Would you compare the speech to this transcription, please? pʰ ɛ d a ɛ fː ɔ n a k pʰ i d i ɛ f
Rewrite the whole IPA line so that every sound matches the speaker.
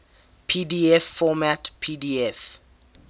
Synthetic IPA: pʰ i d i ɛ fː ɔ m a t pʰ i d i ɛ f